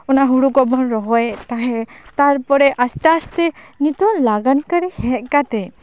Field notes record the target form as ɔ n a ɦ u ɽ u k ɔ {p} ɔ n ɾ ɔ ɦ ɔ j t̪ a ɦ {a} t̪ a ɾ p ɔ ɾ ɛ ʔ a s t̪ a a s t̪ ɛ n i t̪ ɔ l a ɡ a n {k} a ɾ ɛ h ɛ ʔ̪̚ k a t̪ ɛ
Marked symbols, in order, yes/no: no, no, yes

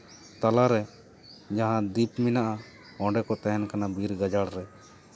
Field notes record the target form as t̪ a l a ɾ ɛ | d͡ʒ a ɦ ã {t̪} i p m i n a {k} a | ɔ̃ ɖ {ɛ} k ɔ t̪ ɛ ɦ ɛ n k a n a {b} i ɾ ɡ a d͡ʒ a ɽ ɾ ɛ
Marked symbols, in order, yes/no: no, no, yes, yes

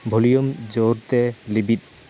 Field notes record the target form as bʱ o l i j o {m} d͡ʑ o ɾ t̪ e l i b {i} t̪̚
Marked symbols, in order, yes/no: yes, yes

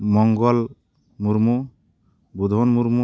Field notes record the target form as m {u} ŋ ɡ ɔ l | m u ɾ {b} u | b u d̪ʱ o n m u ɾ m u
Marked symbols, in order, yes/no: no, no

